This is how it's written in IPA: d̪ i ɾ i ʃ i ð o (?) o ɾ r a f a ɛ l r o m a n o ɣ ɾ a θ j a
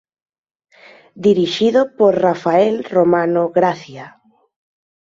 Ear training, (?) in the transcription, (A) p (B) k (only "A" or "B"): A